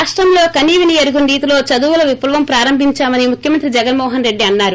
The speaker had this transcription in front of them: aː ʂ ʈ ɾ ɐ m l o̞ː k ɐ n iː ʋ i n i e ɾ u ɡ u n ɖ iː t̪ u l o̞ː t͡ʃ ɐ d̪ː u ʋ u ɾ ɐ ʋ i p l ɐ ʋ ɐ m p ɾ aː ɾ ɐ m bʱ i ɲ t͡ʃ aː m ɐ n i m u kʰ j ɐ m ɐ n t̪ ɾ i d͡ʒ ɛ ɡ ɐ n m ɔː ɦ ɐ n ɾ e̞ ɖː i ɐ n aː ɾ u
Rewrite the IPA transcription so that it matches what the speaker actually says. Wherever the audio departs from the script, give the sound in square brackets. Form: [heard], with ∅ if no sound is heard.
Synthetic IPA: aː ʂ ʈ ɾ ɐ m l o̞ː k ɐ n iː ʋ i n i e ɾ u ɡ u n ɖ iː t̪ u l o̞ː t͡ʃ ɐ [d̪] u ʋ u [l] ɐ ʋ i p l ɐ ʋ ɐ m p ɾ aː ɾ ɐ m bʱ i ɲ t͡ʃ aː m ɐ n i m u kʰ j ɐ m ɐ n t̪ ɾ i d͡ʒ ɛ ɡ ɐ n m ɔː ɦ ɐ n ɾ e̞ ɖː i ɐ [nː] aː ɾ u